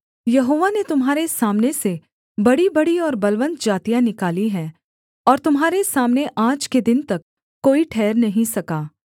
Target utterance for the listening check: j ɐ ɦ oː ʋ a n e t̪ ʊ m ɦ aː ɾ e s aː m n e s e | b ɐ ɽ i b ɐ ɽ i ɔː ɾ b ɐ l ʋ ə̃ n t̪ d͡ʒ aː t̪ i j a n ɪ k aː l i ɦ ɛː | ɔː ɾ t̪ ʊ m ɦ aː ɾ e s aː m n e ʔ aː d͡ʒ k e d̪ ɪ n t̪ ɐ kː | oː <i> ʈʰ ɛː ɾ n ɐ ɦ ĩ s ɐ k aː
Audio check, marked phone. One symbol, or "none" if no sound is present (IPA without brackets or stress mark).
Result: i